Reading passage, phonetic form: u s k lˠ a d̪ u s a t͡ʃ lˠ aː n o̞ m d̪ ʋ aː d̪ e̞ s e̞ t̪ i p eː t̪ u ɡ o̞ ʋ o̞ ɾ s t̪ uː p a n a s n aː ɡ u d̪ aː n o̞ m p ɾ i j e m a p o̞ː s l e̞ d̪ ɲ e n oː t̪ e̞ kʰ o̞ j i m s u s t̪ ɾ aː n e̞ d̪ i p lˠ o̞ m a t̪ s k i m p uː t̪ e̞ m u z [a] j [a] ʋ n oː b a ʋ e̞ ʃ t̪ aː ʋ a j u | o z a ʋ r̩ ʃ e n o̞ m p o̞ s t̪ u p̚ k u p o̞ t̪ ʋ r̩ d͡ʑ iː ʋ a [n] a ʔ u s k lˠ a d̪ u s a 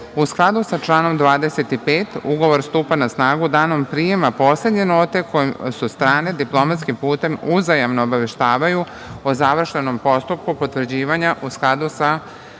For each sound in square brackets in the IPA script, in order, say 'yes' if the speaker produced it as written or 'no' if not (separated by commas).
yes, yes, no